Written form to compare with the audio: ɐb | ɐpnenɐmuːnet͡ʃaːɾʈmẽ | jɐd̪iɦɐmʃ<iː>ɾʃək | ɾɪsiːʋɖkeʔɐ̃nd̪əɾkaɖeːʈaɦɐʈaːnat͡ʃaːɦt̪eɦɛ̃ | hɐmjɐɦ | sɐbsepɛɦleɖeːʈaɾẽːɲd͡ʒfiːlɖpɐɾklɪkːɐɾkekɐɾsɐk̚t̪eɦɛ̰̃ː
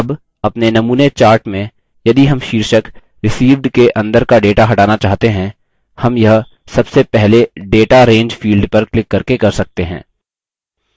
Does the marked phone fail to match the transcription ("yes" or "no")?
no